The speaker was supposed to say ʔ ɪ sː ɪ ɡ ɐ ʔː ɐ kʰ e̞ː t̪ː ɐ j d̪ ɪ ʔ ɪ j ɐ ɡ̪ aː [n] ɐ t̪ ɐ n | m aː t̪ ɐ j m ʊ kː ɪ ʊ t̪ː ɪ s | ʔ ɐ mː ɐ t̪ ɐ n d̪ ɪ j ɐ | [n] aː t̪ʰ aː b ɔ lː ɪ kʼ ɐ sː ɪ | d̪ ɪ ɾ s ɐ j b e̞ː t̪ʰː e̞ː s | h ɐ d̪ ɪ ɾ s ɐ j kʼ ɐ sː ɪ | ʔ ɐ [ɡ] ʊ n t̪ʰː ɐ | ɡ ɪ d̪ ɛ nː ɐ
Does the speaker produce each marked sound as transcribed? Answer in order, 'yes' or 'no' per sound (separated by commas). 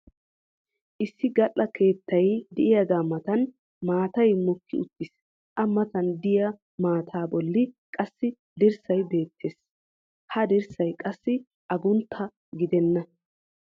no, no, yes